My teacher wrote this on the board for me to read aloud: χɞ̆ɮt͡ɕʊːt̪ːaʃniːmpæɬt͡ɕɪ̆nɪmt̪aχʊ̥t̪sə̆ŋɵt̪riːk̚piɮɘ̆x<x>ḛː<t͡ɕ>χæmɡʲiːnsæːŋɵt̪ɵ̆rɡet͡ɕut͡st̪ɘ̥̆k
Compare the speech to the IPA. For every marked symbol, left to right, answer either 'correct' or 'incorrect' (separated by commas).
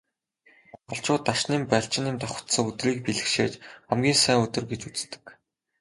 incorrect, correct